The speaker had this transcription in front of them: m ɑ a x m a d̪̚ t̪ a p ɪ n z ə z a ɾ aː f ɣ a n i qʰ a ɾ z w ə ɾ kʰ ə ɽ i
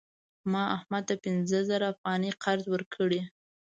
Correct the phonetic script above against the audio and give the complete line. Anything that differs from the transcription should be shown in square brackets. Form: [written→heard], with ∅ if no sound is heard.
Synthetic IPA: m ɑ a [x→h] m a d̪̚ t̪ a p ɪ n z ə z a ɾ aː f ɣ [a→ɑ] n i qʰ a ɾ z w ə ɾ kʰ ə ɽ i